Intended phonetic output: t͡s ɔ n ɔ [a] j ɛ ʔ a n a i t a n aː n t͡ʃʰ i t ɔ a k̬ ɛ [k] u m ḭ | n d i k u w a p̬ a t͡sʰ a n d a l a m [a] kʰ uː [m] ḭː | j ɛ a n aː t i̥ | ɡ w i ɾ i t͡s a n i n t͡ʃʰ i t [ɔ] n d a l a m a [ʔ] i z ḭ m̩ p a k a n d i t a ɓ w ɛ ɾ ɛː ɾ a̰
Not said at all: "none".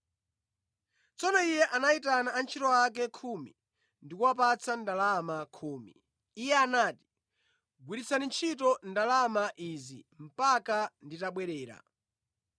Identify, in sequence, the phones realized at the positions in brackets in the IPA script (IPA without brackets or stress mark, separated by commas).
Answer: i, kʰ, a, m, ɔ, ʔ